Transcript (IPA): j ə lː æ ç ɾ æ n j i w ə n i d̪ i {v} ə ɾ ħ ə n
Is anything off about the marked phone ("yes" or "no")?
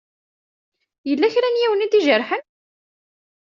yes